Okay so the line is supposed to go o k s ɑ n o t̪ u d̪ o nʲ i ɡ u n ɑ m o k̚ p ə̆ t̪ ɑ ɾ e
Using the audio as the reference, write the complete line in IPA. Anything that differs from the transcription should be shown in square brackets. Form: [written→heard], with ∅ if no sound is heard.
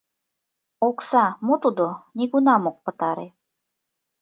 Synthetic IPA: o k s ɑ [n→m] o t̪ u d̪ o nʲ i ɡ u n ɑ m o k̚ p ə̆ t̪ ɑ ɾ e